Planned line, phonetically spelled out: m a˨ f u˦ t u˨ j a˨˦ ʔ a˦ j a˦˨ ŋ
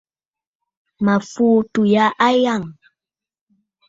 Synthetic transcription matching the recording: m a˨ f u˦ t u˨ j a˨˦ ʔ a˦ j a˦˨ ŋ